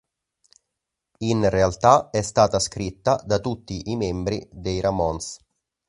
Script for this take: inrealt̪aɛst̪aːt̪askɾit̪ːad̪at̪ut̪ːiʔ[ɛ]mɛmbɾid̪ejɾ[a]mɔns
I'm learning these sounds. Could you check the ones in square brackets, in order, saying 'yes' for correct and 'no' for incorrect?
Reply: no, yes

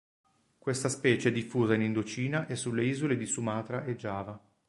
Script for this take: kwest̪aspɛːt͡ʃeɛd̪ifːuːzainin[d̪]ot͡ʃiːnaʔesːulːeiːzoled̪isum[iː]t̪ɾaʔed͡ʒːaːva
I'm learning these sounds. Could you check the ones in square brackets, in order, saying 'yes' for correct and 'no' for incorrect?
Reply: yes, no

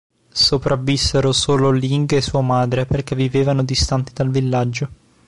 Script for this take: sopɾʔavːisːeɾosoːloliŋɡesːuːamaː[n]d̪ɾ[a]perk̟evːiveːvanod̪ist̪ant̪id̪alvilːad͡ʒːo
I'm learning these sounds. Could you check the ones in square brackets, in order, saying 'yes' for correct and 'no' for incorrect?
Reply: no, no

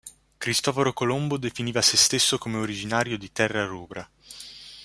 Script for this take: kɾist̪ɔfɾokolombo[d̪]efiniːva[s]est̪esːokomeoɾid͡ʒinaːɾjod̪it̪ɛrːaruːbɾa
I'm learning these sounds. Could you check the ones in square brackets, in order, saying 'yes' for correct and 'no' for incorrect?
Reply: yes, yes

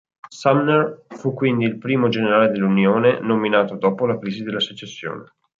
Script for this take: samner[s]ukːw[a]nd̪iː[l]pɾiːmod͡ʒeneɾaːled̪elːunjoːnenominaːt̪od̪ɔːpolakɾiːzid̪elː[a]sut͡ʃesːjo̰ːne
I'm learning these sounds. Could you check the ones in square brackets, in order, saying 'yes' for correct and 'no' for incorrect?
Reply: no, no, yes, yes

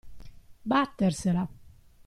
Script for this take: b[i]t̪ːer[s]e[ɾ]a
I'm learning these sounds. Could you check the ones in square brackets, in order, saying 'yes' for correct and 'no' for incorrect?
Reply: no, yes, no

